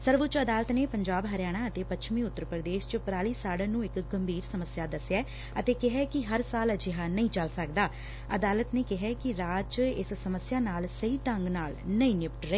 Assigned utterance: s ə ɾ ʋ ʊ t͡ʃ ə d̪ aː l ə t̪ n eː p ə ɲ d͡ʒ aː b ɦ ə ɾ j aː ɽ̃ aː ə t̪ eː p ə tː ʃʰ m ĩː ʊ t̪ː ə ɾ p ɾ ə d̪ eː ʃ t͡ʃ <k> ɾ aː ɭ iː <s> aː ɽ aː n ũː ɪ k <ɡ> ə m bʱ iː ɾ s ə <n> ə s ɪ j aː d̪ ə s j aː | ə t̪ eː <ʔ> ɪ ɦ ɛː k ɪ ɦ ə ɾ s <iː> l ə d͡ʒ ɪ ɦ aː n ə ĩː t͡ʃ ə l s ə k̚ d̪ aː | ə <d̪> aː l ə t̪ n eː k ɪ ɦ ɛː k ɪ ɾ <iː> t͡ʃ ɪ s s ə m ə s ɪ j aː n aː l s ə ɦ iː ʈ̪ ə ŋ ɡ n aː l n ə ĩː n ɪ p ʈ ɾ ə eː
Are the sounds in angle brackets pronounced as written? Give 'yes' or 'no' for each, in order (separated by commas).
no, yes, yes, no, no, no, yes, no